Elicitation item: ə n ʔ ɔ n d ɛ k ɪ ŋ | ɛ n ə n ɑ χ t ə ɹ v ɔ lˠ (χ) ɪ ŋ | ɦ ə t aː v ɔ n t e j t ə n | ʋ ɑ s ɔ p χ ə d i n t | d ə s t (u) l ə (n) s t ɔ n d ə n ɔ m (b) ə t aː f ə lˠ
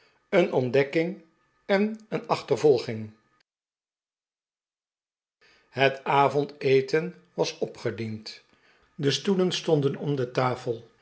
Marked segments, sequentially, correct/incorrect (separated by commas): correct, correct, correct, incorrect